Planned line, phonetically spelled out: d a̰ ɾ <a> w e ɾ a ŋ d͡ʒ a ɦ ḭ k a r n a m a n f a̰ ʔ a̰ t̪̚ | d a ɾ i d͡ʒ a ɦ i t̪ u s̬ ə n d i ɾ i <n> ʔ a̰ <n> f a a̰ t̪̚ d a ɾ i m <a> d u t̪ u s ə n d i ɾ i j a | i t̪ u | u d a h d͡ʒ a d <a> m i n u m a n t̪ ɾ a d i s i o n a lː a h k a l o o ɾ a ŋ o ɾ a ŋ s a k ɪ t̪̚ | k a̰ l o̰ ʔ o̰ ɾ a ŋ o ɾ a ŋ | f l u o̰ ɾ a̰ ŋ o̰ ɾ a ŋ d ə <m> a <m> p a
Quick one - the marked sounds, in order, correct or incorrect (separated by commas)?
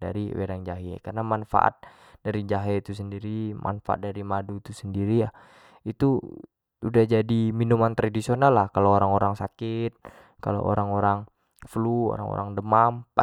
incorrect, incorrect, correct, correct, incorrect, correct, correct